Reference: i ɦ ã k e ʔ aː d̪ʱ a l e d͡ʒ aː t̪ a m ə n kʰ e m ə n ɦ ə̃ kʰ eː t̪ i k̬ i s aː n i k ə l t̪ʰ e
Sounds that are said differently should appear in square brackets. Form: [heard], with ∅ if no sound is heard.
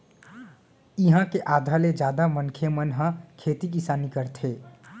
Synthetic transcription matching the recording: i ɦ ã k e ʔ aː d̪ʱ a l e d͡ʒ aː [d̪] a m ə n kʰ e m ə n ɦ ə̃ kʰ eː t̪ i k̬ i s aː n i k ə [ɾ] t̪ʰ e